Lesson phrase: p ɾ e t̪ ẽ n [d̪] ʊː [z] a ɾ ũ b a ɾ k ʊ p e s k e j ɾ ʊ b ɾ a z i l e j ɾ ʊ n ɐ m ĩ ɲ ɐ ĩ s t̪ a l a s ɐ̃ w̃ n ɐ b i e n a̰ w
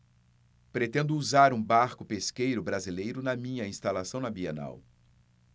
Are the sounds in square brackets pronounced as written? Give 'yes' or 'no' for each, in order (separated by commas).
yes, yes